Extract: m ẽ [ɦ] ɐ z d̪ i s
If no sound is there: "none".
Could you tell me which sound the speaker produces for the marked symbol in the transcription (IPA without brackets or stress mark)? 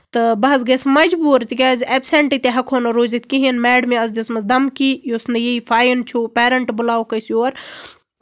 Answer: none